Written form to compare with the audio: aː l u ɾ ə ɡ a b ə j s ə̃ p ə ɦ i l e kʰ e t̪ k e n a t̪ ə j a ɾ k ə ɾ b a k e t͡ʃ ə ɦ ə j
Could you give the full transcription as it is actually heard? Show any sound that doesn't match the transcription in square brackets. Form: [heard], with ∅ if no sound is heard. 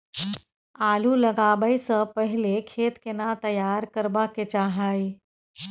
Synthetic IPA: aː l u [l] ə ɡ a b ə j s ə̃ p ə ɦ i l e kʰ e t̪ k e n a t̪ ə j a ɾ k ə ɾ b a k e t͡ʃ [a] ɦ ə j